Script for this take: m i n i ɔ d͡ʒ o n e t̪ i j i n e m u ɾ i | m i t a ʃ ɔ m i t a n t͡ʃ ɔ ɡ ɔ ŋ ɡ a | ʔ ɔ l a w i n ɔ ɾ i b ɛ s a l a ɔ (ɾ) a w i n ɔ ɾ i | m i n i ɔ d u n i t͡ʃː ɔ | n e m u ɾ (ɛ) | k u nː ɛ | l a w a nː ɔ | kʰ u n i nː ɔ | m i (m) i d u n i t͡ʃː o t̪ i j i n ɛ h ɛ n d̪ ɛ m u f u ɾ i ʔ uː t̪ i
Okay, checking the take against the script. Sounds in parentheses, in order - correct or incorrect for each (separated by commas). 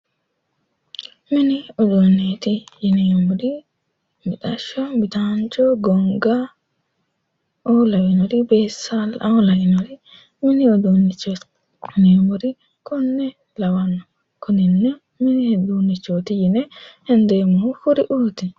incorrect, incorrect, incorrect